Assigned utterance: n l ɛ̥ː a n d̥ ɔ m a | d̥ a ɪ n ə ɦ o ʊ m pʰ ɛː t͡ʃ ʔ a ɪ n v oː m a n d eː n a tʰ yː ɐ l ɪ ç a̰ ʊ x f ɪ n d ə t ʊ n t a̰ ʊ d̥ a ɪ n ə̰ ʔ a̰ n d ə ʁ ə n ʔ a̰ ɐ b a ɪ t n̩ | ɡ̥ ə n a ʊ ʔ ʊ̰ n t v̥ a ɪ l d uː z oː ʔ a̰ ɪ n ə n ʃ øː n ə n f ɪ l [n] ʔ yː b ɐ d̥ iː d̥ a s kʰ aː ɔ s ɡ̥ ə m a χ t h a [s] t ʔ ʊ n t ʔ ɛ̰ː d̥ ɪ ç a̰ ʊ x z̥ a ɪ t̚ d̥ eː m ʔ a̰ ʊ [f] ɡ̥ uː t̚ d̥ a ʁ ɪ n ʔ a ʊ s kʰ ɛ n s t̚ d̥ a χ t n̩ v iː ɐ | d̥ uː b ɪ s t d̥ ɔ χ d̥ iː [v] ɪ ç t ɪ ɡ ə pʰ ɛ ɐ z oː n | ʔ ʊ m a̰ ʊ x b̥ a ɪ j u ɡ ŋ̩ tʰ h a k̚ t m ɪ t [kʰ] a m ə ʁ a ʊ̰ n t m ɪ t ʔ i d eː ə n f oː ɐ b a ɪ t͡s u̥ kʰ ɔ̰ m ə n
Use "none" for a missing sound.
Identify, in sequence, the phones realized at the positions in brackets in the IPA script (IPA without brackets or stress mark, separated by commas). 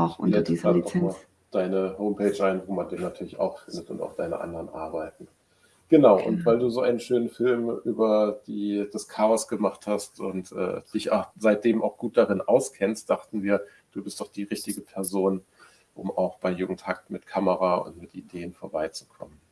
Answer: m, s, x, ʁ, kʰ